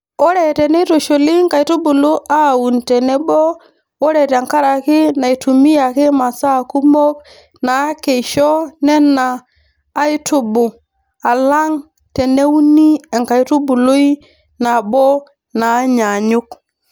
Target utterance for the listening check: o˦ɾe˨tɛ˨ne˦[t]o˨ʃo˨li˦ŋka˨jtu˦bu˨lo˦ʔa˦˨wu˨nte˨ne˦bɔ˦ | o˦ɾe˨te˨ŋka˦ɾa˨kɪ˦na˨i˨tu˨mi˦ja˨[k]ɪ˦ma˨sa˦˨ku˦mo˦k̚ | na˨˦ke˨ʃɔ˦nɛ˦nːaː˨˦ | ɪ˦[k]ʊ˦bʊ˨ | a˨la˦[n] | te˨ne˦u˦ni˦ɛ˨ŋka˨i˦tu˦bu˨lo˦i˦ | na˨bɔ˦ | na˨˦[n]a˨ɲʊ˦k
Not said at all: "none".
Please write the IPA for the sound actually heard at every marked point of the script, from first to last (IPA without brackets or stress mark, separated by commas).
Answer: t, k, t, ŋ, ɲ